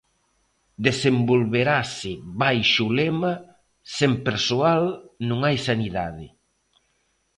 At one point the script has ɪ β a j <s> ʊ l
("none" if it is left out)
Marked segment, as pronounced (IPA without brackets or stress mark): ʃ